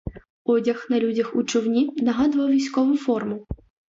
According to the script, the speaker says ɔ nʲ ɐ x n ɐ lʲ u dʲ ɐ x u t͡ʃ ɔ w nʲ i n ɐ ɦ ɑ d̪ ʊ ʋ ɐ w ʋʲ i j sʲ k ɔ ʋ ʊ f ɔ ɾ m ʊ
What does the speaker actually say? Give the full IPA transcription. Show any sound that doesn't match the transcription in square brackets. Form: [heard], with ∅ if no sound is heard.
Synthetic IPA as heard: ɔ [dʲ] ɐ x n ɐ lʲ u dʲ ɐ x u t͡ʃ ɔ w nʲ i n ɐ ɦ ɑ d̪ ʊ ʋ ɐ w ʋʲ i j sʲ k ɔ ʋ ʊ f ɔ [r] m ʊ

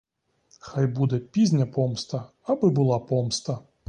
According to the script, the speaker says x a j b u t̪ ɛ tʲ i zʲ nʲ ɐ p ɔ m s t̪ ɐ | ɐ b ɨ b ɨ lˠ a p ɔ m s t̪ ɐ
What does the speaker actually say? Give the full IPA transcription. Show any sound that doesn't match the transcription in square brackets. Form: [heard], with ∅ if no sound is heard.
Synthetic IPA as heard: x a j b u [d̪] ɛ [pʲ] i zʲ nʲ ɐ p ɔ m s t̪ ɐ | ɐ b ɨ b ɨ lˠ a p ɔ m s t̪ ɐ

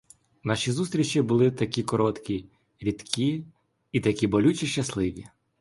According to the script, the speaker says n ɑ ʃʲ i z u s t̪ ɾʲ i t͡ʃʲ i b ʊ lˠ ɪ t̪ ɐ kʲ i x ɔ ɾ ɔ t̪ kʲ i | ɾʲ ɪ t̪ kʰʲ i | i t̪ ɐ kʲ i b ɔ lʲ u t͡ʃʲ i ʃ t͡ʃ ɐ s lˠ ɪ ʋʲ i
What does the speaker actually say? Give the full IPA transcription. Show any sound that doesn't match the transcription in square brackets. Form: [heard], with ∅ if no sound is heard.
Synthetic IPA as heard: n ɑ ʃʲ i z u s t̪ ɾʲ i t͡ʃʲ i b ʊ lˠ ɪ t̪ ɐ kʲ i [k] ɔ ɾ ɔ t̪ kʲ i | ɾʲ [i] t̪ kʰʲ i | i t̪ ɐ kʲ i b ɔ lʲ u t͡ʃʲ i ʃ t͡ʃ ɐ s lˠ ɪ ʋʲ i

